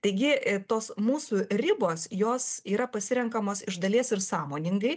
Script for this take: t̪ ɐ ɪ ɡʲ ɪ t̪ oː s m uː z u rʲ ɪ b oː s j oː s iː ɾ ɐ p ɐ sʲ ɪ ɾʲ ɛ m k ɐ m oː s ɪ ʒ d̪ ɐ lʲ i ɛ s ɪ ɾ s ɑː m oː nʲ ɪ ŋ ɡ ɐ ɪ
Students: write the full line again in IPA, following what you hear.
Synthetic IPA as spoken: t̪ ɐ ɪ ɡʲ ɪ t̪ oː s m uː s u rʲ ɪ b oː s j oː s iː ɾ ɐ p ɐ sʲ ɪ ɾʲ ɛ ŋ k ɐ m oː s ɪ ʒ d̪ ɐ lʲ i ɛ s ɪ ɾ s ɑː m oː nʲ ɪ ŋ ɡ ɐ ɪ